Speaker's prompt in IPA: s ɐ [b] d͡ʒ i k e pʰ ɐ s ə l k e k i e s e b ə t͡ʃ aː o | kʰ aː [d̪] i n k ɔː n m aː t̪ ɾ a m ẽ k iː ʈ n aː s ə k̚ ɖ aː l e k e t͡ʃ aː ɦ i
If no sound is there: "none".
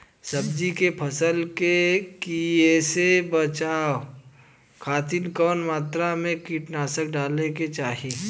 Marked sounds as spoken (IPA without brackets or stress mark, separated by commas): b, t̪